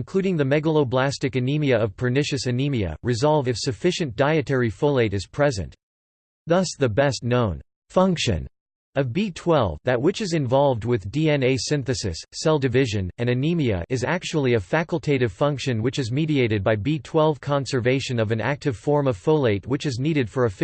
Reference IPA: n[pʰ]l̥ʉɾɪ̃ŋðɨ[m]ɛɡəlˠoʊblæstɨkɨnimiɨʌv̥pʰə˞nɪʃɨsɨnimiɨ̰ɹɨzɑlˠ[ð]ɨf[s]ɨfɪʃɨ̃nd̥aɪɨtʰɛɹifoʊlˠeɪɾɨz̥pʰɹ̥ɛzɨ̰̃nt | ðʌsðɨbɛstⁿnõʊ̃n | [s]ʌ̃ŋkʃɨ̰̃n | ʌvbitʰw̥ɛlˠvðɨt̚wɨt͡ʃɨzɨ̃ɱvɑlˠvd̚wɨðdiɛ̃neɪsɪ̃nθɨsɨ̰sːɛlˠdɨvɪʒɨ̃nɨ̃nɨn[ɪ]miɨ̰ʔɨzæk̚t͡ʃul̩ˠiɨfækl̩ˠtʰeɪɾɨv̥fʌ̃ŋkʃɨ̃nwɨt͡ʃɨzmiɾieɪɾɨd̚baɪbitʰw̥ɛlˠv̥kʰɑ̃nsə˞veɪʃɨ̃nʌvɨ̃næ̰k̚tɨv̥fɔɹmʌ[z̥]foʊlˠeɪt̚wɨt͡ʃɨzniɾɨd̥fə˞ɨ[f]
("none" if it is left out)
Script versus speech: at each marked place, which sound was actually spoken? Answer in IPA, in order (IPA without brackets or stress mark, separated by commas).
kʰ, m, v, s, f, i, v̥, f